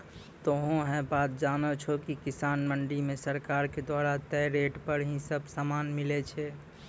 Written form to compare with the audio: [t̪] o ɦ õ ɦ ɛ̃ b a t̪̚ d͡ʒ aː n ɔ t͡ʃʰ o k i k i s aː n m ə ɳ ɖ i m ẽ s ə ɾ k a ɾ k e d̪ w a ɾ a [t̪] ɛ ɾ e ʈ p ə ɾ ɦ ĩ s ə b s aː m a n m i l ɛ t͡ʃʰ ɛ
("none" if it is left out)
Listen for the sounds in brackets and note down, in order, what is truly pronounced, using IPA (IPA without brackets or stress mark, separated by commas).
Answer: t̪, t̪